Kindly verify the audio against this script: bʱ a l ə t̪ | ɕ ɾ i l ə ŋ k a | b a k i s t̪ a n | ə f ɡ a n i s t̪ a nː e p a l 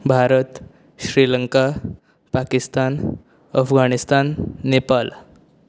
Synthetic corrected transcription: bʱ a ɾ ə t̪ | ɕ ɾ i l ə ŋ k a | p a k i s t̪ a n | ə f ɡ a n i s t̪ a nː e p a l